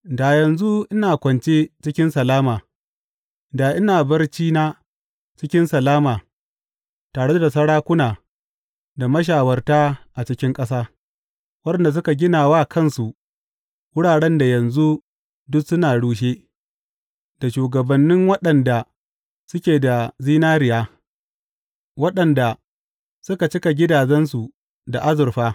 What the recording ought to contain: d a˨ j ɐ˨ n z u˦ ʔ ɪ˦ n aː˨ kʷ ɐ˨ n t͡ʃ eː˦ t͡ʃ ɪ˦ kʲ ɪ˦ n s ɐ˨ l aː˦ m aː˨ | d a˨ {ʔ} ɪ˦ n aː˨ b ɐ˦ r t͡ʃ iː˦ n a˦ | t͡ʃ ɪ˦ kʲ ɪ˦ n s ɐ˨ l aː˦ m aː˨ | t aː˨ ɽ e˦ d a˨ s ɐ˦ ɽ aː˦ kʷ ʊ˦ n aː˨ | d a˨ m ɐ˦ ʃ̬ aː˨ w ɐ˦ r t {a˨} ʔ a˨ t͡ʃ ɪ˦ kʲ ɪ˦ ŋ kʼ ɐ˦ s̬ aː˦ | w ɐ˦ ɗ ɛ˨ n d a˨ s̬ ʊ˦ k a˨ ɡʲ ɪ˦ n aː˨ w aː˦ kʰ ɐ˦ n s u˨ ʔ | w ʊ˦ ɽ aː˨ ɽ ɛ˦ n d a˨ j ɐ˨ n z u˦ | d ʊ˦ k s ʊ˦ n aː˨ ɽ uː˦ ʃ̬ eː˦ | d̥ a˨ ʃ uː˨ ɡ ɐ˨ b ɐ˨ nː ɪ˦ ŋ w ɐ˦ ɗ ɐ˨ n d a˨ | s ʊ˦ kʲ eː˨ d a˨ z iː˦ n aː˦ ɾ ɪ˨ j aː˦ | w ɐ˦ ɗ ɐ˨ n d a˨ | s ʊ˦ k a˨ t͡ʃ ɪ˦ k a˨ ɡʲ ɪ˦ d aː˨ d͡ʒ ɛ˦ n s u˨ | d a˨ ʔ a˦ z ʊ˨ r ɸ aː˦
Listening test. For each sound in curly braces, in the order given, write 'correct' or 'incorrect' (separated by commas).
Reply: correct, incorrect